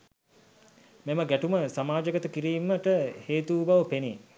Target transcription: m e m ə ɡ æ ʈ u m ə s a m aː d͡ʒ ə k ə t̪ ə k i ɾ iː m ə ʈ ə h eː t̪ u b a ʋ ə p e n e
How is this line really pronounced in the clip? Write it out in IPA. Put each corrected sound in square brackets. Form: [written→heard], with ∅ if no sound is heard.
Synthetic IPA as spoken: m e m ə ɡ æ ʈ u m ə s a m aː d͡ʒ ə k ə t̪ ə k i ɾ iː m ə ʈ ə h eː t̪ u b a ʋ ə p e n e